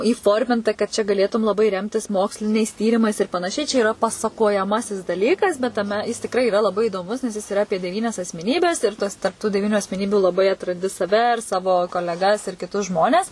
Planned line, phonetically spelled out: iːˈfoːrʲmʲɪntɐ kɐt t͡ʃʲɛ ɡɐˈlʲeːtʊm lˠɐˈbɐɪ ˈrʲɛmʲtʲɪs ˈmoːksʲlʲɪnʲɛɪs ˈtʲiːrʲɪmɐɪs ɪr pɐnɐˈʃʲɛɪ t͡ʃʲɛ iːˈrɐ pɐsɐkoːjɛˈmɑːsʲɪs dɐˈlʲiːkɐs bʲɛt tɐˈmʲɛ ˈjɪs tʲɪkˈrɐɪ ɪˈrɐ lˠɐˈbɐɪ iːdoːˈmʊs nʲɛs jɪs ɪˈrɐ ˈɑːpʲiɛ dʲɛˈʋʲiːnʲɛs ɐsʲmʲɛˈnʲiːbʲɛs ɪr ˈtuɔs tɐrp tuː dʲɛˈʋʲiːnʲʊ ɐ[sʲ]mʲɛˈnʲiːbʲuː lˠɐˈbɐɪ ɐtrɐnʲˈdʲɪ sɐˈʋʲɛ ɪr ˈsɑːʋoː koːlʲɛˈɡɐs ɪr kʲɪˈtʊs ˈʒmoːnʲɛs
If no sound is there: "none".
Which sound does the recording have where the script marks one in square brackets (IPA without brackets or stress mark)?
sʲ